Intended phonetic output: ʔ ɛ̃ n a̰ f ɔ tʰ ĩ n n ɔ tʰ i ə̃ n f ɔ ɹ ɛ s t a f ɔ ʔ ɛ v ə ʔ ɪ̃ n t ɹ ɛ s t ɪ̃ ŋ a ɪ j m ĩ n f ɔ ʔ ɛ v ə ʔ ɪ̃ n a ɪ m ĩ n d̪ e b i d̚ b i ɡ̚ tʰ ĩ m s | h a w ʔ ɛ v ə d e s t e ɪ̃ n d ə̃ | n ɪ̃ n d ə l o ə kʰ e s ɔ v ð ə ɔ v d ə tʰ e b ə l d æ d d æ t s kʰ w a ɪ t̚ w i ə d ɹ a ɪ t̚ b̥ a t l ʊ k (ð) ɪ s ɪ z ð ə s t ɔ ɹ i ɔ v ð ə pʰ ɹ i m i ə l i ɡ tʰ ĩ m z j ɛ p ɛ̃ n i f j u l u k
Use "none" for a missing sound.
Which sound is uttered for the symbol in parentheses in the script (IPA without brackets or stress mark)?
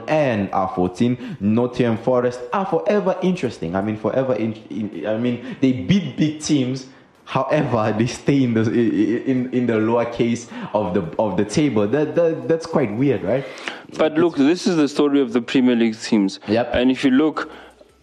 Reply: ð